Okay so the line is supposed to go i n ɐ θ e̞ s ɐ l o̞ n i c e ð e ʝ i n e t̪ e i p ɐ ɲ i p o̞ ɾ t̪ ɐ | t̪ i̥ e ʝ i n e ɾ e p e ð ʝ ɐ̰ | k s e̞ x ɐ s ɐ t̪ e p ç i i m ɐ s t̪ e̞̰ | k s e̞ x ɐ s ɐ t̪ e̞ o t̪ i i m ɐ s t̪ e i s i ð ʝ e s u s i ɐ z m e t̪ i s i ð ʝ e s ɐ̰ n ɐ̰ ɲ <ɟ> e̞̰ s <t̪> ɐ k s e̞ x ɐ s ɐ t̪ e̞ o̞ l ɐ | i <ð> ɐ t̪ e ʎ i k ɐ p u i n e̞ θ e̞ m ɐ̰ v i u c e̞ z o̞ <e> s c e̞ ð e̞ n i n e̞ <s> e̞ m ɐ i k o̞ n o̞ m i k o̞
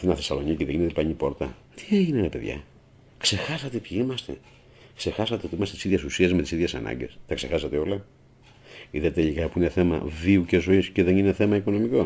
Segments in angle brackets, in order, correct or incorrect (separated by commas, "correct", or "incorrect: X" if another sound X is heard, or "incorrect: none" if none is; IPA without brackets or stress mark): correct, correct, correct, incorrect: i, incorrect: θ